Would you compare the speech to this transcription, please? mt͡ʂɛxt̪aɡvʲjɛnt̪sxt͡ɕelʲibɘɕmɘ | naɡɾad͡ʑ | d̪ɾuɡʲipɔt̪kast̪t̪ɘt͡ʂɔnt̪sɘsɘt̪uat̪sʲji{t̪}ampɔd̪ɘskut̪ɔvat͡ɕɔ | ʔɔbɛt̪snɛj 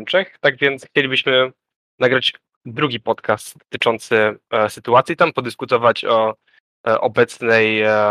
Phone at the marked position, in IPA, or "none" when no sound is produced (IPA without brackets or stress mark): t̪